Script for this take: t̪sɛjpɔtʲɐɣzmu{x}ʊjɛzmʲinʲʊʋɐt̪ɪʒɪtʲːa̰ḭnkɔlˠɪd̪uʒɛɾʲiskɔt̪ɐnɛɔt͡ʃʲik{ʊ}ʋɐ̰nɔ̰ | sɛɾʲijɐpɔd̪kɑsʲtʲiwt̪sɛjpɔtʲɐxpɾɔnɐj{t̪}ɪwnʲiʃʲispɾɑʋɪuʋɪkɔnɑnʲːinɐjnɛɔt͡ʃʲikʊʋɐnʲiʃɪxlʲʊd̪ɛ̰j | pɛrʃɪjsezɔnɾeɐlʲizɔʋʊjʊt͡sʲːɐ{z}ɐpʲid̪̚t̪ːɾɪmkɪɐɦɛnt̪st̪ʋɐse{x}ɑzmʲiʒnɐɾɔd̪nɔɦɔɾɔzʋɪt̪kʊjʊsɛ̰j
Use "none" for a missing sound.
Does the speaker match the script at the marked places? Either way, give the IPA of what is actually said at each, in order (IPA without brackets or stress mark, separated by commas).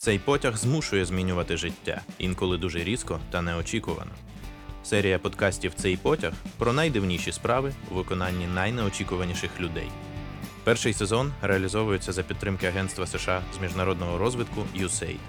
ʃ, ʊ, d̪, z, ʃ